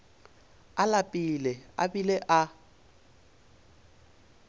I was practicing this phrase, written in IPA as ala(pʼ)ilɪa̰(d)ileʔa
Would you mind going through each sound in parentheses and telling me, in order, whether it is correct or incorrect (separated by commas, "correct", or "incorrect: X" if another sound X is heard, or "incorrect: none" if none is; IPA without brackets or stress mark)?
correct, incorrect: b